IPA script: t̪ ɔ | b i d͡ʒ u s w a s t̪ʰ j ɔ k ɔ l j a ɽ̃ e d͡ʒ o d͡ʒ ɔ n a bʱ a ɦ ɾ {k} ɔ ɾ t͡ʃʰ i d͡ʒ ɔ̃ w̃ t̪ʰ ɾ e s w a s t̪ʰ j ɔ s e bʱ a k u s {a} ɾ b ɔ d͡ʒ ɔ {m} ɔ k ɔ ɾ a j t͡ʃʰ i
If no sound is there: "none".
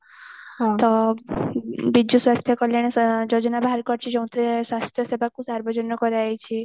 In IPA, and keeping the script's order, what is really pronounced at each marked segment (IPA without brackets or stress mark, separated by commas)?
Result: k, a, n